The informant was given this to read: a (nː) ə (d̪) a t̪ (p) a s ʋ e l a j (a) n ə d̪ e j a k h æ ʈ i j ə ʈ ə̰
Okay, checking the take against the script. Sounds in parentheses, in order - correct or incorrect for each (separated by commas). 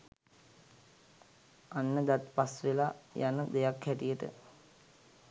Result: correct, correct, correct, correct